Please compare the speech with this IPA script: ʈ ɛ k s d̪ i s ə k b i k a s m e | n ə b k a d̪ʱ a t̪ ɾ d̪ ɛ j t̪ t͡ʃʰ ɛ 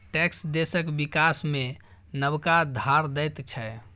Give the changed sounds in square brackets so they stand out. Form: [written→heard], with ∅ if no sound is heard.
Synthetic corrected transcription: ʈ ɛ k s d̪ [i→e] s ə k b i k a s m e | n ə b k a d̪ʱ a [t̪→∅] ɾ d̪ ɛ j t̪ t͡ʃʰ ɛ